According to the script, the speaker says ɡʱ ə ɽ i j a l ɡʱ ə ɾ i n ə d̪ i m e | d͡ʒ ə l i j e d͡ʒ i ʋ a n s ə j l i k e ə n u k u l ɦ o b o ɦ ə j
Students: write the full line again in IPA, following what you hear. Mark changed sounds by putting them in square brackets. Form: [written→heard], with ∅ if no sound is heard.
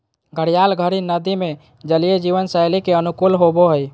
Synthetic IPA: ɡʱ ə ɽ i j a l ɡʱ ə ɾ i n ə d̪ i m e | d͡ʒ ə l i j e d͡ʒ i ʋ [a→ə] n s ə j l i k e ə n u k u l ɦ o b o ɦ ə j